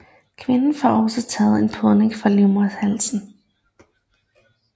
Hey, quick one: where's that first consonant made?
velum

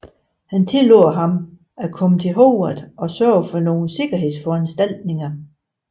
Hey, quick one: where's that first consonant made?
throat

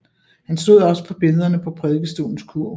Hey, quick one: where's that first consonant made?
throat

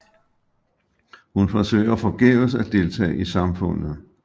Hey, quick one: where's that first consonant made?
throat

